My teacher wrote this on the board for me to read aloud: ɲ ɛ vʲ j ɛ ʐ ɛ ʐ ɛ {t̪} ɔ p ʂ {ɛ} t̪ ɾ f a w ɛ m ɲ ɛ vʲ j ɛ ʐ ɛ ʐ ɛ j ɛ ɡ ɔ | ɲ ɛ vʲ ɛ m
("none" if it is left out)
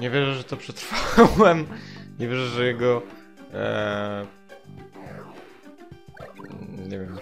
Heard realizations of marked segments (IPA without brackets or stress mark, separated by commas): t̪, ɛ